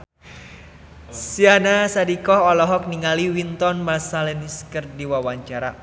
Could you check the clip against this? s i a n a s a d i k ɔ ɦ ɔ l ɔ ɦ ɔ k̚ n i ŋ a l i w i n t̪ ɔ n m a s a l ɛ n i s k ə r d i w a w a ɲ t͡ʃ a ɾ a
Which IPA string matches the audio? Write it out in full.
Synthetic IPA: s i a n a s a d i k ɔ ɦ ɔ l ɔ ɦ ɔ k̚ n i ŋ a l i w i n t̪ ɔ n m a s a l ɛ n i s k ə r d i w a w a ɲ t͡ʃ a ɾ a